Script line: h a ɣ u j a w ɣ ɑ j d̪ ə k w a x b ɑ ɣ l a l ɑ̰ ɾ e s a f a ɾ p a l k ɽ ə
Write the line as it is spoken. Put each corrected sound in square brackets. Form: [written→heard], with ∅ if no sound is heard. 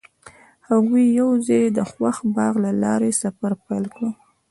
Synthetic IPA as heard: h a ɣ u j a w [ɣ→z] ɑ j d̪ ə [k→x] w a x b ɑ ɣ l a l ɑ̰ ɾ e s a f a ɾ p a l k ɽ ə